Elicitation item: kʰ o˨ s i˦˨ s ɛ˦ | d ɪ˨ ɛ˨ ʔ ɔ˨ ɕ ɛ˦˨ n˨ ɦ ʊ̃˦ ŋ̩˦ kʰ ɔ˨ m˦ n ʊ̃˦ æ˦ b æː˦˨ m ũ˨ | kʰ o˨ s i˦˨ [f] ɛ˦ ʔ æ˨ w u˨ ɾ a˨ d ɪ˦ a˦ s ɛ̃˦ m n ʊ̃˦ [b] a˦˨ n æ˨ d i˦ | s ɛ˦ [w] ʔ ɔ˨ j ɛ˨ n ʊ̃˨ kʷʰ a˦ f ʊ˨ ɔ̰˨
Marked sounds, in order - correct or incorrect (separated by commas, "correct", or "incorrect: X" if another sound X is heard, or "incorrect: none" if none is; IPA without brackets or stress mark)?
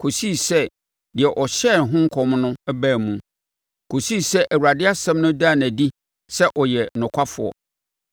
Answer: incorrect: s, incorrect: d, incorrect: none